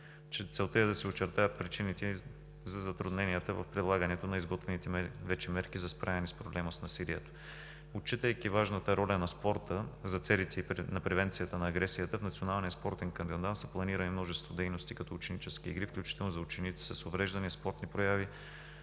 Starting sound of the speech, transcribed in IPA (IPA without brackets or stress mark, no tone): t͡ʃ